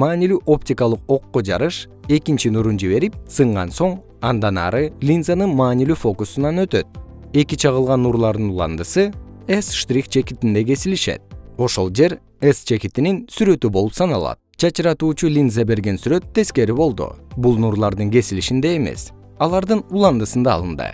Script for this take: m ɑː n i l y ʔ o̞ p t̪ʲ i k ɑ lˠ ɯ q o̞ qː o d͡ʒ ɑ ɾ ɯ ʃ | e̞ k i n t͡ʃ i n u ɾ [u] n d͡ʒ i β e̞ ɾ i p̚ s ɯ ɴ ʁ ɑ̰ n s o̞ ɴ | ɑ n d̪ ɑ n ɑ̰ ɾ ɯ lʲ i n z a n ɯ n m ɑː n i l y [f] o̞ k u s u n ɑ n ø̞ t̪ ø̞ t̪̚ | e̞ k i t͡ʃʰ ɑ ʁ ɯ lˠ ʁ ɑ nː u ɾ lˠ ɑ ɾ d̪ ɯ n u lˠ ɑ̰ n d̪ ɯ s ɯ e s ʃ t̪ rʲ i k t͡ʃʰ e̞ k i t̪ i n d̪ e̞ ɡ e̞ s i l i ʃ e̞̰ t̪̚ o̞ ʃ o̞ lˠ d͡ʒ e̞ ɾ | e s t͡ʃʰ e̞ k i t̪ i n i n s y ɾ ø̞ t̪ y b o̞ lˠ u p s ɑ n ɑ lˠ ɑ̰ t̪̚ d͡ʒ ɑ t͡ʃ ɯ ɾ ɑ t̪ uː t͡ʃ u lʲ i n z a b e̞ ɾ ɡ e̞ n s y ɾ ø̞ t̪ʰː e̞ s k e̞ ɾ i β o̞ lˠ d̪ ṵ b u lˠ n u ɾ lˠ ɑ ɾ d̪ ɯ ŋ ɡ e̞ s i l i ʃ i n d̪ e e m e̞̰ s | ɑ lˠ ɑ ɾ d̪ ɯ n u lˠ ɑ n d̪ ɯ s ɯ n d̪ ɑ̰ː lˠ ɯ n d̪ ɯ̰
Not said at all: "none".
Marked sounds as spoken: u, f

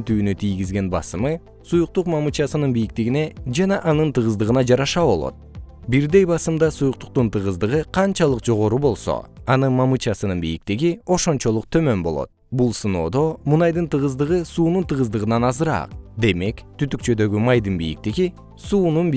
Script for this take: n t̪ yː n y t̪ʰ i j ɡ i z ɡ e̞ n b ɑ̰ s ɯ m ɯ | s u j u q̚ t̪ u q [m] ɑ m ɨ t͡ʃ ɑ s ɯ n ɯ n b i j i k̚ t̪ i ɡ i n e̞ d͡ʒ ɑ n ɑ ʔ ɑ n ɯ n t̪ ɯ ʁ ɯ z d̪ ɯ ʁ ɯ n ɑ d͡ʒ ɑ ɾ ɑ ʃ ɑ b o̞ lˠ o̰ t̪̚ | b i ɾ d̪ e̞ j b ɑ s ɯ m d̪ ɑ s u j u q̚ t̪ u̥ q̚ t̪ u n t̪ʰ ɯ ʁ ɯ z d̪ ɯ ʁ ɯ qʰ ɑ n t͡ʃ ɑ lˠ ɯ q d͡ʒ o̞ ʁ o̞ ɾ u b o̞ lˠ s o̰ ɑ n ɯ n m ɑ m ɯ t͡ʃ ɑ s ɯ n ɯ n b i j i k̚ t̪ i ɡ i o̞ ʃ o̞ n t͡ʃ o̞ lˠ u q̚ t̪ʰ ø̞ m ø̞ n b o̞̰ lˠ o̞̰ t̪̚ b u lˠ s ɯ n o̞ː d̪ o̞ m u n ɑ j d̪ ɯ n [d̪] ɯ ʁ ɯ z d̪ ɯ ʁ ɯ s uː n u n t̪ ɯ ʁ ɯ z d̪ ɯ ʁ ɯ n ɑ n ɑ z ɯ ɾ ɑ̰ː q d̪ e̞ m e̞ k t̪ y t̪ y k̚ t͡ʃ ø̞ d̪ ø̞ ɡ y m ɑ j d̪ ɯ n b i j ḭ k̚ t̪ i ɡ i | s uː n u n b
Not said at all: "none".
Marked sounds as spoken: m, t̪

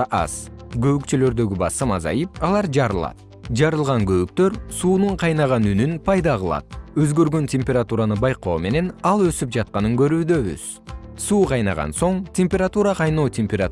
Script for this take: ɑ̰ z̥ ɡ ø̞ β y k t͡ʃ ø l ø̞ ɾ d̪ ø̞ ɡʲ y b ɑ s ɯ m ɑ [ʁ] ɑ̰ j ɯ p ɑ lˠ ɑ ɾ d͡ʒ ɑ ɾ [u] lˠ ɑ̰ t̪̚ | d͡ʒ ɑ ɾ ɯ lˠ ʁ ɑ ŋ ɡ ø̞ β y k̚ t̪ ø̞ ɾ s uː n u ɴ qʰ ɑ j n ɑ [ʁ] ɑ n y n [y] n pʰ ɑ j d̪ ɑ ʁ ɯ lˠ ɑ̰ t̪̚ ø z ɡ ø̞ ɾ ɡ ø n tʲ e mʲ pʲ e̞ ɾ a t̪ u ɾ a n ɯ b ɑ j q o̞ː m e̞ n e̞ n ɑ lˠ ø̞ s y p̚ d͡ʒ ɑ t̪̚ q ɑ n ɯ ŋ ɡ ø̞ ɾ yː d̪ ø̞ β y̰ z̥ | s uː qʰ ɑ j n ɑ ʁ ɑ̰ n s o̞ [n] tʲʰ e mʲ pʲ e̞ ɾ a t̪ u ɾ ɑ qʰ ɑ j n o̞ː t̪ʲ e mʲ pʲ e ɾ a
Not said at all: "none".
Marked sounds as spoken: z, ɯ, ʁ, y, ɴ

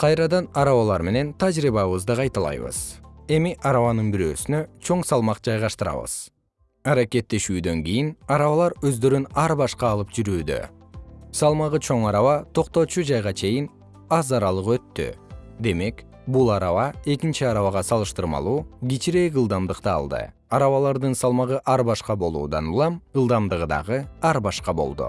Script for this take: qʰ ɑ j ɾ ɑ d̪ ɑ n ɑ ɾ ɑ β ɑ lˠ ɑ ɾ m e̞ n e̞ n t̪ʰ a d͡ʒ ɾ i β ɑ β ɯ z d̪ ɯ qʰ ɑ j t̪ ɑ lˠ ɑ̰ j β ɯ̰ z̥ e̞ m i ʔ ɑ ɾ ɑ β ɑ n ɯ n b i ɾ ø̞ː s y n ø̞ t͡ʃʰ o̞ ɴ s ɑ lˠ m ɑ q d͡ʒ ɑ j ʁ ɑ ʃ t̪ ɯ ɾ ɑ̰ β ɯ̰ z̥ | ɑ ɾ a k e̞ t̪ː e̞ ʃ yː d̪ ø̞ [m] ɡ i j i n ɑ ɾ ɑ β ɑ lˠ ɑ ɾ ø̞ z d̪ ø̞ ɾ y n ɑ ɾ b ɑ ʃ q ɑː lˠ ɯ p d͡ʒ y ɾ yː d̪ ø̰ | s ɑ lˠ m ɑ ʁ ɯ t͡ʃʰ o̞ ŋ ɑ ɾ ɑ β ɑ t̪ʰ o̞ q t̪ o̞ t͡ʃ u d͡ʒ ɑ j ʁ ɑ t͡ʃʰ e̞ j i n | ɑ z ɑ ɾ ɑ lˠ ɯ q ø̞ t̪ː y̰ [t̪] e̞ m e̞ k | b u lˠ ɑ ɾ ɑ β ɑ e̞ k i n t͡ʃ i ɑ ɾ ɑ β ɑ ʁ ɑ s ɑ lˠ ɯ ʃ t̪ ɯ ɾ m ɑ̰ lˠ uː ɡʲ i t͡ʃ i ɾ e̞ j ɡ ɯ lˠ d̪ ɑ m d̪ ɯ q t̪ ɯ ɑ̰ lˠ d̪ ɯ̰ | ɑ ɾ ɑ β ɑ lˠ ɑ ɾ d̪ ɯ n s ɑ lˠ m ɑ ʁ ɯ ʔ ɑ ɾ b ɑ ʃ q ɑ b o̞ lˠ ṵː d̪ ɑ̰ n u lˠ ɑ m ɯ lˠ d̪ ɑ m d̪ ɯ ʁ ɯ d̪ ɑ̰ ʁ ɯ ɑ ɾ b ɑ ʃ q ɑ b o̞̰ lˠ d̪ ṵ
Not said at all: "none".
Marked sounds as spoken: ŋ, d̪

